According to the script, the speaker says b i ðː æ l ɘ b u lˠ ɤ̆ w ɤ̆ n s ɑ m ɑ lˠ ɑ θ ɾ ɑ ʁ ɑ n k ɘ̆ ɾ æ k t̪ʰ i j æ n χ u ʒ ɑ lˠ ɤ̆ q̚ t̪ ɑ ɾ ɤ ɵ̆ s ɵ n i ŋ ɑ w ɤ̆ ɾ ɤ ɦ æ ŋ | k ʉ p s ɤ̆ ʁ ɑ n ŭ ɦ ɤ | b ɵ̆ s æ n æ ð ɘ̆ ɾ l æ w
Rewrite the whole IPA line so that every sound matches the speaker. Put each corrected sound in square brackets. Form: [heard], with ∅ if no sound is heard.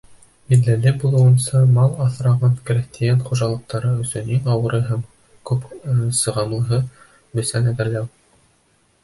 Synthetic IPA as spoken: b i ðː æ l ɘ b u lˠ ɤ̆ w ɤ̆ n s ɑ m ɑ lˠ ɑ θ ɾ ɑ ʁ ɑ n k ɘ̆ ɾ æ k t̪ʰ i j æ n χ u ʒ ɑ lˠ ɤ̆ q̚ t̪ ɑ ɾ ɤ ɵ̆ s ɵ n i ŋ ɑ w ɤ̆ ɾ ɤ ɦ æ [m] | k ʉ p s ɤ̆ ʁ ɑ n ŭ ɦ ɤ | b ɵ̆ s æ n æ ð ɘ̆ ɾ l æ w

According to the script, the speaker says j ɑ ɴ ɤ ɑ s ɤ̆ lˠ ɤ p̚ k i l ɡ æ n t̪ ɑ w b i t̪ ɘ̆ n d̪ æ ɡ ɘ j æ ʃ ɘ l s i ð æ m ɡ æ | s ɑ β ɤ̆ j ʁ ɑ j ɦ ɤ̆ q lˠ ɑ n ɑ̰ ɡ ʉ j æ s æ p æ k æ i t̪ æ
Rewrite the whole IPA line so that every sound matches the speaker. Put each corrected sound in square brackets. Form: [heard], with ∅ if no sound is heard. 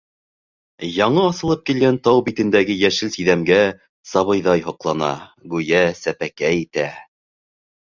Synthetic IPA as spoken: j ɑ ɴ ɤ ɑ s ɤ̆ lˠ ɤ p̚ k i l ɡ æ n t̪ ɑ w b i t̪ ɘ̆ n d̪ æ ɡ ɘ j æ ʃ ɘ l s i ð æ m ɡ æ | s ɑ β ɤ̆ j [ð] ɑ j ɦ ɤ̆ q lˠ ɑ n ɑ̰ ɡ ʉ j æ s æ p æ k æ i t̪ æ

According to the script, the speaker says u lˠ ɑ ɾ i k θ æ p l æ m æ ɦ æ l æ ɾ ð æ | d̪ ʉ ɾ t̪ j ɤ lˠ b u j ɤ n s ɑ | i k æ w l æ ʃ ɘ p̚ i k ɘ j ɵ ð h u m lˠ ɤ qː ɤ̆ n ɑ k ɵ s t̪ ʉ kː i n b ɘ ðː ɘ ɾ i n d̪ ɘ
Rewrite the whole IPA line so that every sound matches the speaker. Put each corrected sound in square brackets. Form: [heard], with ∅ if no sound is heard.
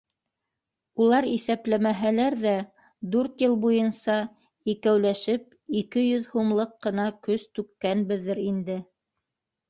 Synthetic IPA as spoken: u lˠ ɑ ɾ i [∅] θ æ p l æ m æ ɦ æ l æ ɾ ð æ | d̪ ʉ ɾ t̪ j ɤ lˠ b u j ɤ n s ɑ | i k æ w l æ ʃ ɘ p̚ i k ɘ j ɵ ð h u m lˠ ɤ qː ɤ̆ n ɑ k ɵ s t̪ ʉ kː [æ] n b ɘ ðː ɘ ɾ i n d̪ ɘ

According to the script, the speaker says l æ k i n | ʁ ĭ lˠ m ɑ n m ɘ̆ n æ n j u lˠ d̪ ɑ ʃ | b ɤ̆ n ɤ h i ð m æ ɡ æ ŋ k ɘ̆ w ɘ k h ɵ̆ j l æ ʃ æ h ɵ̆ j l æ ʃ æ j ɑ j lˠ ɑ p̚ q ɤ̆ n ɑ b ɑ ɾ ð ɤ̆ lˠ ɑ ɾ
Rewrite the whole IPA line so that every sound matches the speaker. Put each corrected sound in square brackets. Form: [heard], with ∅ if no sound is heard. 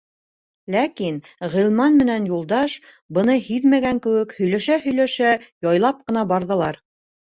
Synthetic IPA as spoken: l æ k i n | ʁ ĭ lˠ m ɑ n m ɘ̆ n æ n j u lˠ d̪ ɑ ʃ | b ɤ̆ n ɤ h i ð m æ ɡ æ ŋ k ɘ̆ w ɘ k h ɵ̆ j l æ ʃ æ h ɵ̆ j l æ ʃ æ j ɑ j lˠ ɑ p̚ q ɤ̆ n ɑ b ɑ ɾ ð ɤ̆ lˠ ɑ ɾ

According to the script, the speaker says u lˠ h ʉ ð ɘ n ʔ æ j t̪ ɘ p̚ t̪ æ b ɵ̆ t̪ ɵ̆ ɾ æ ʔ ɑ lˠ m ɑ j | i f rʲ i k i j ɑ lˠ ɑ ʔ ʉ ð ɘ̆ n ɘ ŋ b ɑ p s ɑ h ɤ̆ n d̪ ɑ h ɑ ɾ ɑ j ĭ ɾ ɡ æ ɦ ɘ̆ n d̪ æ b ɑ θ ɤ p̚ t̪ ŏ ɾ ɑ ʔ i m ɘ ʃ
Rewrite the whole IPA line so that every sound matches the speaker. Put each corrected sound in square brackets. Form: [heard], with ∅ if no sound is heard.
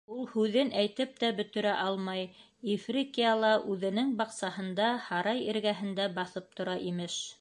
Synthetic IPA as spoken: u lˠ h ʉ ð ɘ n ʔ æ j t̪ ɘ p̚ t̪ æ b ɵ̆ t̪ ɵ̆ ɾ æ ʔ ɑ lˠ m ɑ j | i f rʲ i k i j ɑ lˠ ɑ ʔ ʉ ð ɘ̆ n ɘ ŋ b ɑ [q] s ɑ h ɤ̆ n d̪ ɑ h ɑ ɾ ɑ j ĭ ɾ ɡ æ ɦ ɘ̆ n d̪ æ b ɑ θ ɤ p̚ t̪ ŏ ɾ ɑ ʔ i m ɘ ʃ

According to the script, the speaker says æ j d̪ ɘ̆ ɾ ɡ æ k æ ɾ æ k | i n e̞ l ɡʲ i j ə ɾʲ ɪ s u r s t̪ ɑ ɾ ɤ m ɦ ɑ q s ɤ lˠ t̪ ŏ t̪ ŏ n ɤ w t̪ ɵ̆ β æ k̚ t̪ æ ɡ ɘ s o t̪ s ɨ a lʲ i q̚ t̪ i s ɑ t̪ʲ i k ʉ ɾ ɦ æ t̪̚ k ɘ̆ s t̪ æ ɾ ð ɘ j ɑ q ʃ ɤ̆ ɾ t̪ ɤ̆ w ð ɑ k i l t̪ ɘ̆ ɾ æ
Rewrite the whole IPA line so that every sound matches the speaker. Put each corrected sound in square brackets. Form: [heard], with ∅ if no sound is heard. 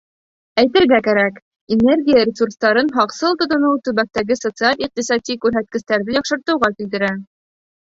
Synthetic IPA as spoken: æ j [t̪] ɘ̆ ɾ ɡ æ k æ ɾ æ k | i n e̞ [r] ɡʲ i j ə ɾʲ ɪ s u r s t̪ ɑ ɾ ɤ [n] ɦ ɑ q s ɤ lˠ t̪ ŏ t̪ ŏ n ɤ w t̪ ɵ̆ β æ k̚ t̪ æ ɡ ɘ s o t̪ s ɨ a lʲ i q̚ t̪ i s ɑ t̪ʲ i k ʉ ɾ ɦ æ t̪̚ k ɘ̆ s t̪ æ ɾ ð ɘ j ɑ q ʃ ɤ̆ ɾ t̪ ɤ̆ w [ʁ] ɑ k i l t̪ ɘ̆ ɾ æ

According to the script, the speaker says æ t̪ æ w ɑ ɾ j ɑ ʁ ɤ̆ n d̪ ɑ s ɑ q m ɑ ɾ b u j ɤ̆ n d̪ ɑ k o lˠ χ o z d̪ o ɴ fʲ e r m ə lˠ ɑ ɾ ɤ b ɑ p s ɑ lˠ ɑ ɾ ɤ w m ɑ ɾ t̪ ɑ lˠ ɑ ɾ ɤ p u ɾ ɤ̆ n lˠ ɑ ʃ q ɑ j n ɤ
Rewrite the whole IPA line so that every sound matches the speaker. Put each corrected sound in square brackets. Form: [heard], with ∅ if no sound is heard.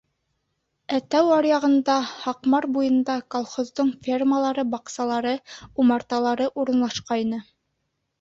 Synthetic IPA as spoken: æ t̪ æ w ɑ ɾ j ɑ ʁ ɤ̆ n d̪ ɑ [h] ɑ q m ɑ ɾ b u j ɤ̆ n d̪ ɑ k o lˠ χ o z d̪ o ɴ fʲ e r m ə lˠ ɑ ɾ ɤ b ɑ [q] s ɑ lˠ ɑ ɾ ɤ [u] m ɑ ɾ t̪ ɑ lˠ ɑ ɾ ɤ [ʔ] u ɾ ɤ̆ n lˠ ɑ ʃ q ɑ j n ɤ

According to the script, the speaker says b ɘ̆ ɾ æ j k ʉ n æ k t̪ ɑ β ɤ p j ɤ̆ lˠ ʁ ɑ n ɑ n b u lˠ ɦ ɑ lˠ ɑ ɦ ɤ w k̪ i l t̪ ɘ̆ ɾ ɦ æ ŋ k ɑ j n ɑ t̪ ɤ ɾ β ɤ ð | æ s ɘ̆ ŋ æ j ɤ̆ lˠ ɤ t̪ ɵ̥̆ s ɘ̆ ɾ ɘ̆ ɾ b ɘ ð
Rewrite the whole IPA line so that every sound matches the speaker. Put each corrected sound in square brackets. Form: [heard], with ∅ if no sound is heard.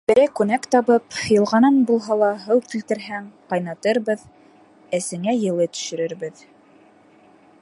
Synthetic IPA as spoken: b ɘ̆ ɾ æ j k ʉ n æ k t̪ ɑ β ɤ p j ɤ̆ lˠ ʁ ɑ n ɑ n b u lˠ ɦ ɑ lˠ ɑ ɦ ɤ w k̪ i l t̪ ɘ̆ ɾ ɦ æ ŋ [q] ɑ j n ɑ t̪ ɤ ɾ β ɤ ð | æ s ɘ̆ ŋ æ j ɤ̆ lˠ ɤ t̪ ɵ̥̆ [ʃ] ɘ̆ ɾ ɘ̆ ɾ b ɘ ð

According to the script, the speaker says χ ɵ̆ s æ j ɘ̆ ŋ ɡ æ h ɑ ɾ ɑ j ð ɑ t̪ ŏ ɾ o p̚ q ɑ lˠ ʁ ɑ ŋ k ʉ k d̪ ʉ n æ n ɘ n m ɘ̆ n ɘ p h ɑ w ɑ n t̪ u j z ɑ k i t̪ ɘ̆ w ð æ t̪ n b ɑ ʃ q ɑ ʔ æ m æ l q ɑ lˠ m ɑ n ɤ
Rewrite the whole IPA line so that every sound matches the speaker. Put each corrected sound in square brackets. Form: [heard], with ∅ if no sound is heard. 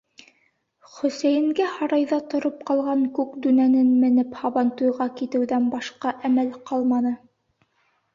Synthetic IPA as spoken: χ ɵ̆ s æ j ɘ̆ ŋ ɡ æ h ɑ ɾ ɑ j ð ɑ t̪ ŏ ɾ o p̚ q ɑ lˠ ʁ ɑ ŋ k ʉ k d̪ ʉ n æ n ɘ n m ɘ̆ n ɘ p h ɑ [β] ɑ n t̪ u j [ʁ] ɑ k i t̪ ɘ̆ w ð æ [∅] n b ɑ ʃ q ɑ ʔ æ m æ l q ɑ lˠ m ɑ n ɤ

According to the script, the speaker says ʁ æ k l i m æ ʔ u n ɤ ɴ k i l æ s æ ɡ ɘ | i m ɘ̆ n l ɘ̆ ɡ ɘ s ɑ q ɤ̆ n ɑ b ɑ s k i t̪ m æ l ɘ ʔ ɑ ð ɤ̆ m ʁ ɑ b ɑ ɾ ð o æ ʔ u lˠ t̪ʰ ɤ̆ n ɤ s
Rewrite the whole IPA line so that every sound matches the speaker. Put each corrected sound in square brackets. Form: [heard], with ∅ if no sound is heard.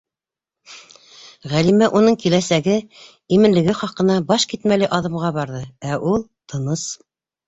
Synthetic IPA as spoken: ʁ æ [∅] l i m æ ʔ u n ɤ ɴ k i l æ s æ ɡ ɘ | i m ɘ̆ n l ɘ̆ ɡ ɘ [χ] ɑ q ɤ̆ n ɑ b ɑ [ʃ] k i t̪ m æ l ɘ ʔ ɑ ð ɤ̆ m ʁ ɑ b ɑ ɾ ð [ɤ] æ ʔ u lˠ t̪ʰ ɤ̆ n ɤ s

